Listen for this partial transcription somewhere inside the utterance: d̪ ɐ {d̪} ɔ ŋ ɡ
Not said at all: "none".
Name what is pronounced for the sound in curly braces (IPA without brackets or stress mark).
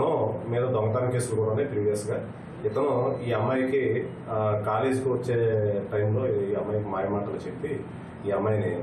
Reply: d̪